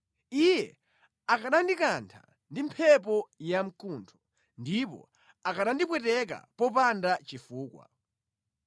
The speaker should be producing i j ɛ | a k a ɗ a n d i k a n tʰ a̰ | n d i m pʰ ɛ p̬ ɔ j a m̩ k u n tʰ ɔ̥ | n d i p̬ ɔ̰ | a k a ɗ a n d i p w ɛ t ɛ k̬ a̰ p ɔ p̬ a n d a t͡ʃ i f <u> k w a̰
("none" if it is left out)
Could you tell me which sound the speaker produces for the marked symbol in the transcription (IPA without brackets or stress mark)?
uː